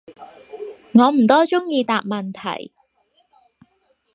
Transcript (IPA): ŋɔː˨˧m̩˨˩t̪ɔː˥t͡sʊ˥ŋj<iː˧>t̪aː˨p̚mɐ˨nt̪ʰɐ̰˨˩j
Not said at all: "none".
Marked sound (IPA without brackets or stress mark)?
iː˧